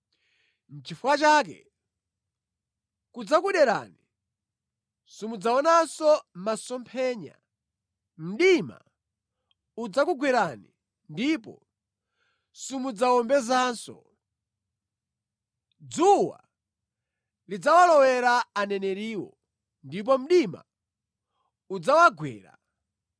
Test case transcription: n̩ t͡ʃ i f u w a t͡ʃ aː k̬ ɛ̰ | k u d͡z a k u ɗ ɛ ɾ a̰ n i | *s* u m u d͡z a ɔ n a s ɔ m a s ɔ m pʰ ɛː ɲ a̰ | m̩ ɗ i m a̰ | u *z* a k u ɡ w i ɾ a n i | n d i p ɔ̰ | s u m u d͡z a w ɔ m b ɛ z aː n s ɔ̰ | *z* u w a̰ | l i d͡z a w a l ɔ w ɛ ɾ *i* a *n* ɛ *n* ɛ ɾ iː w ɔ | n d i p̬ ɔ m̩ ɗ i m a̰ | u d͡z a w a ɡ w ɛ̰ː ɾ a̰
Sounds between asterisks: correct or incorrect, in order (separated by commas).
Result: correct, incorrect, incorrect, incorrect, correct, correct